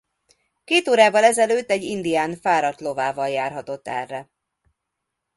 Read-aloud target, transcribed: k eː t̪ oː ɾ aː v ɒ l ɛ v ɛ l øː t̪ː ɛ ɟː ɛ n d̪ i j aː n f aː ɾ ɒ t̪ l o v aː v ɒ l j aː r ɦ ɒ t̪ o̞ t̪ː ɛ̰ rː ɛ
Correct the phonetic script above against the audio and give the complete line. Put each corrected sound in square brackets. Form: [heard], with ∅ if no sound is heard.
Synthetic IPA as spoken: k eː t̪ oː ɾ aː v ɒ l ɛ [z] ɛ l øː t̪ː ɛ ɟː [i] n d̪ i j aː n f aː ɾ ɒ t̪ l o v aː v ɒ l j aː r ɦ ɒ t̪ o̞ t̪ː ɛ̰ rː ɛ